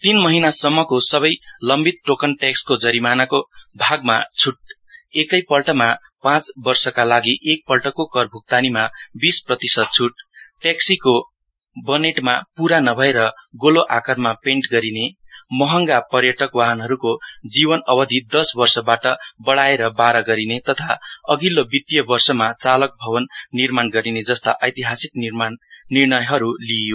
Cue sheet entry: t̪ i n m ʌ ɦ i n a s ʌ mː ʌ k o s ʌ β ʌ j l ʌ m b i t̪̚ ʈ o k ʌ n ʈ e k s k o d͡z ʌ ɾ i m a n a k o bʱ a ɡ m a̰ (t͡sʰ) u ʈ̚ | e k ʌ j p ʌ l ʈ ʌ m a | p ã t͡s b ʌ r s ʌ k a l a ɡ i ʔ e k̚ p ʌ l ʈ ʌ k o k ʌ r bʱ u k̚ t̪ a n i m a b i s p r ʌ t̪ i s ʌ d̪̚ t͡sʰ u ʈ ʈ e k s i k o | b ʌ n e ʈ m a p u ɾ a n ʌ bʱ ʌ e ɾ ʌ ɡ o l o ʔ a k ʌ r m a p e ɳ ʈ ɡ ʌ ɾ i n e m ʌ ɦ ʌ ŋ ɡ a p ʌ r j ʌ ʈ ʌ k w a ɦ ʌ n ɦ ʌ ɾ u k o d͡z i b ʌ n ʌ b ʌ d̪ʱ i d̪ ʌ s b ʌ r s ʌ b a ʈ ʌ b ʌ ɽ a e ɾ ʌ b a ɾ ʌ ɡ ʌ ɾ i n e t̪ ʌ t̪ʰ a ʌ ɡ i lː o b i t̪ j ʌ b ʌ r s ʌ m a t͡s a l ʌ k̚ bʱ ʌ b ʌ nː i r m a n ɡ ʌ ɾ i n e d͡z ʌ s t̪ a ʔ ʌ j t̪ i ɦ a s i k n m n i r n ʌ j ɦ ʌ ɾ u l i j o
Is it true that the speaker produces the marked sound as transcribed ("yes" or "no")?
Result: yes